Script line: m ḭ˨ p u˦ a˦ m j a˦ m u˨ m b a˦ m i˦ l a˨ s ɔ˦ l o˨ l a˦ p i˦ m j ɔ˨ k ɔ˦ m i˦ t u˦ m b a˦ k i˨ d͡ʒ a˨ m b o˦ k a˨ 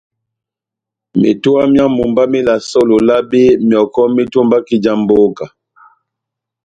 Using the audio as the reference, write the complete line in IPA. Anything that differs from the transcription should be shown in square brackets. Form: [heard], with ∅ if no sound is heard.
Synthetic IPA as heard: m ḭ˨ [t] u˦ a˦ m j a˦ m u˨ m b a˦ m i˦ l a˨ s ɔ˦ l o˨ l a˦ [b] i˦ m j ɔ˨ k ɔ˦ m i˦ t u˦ m b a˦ k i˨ d͡ʒ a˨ m b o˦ k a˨